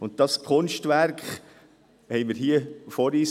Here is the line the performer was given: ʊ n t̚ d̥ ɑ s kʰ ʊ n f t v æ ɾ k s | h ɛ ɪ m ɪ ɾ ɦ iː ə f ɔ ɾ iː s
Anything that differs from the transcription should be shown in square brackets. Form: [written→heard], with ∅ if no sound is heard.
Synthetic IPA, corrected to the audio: ʊ n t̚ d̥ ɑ s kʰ ʊ n [f→ʃ] t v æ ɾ k [s→χ] | h ɛ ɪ m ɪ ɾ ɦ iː ə f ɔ ɾ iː s